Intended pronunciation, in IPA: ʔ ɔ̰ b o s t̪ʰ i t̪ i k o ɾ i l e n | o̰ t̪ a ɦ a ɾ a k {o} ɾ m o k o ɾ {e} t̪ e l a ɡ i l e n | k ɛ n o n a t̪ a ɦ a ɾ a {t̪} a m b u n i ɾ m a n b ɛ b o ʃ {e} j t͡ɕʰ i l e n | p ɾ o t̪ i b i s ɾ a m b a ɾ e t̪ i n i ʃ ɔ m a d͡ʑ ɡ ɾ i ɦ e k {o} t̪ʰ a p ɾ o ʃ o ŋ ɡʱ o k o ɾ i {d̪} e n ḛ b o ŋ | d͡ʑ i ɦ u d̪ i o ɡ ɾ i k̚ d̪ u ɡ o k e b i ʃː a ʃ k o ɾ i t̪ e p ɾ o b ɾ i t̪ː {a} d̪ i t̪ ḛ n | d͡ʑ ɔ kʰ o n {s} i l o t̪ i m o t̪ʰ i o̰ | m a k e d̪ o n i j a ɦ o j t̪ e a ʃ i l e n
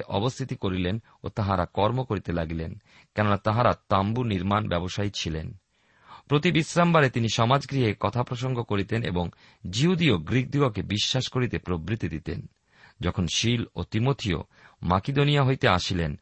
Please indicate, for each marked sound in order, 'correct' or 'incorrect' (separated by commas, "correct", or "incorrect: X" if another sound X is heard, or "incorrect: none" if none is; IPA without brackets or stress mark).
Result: incorrect: ɔ, incorrect: i, correct, incorrect: a, incorrect: ɔ, incorrect: t̪, incorrect: i, incorrect: ʃ